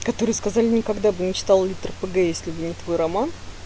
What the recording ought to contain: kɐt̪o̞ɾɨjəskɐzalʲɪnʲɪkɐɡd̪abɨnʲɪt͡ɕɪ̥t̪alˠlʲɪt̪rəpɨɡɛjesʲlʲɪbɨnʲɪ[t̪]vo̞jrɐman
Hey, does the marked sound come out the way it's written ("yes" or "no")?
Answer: yes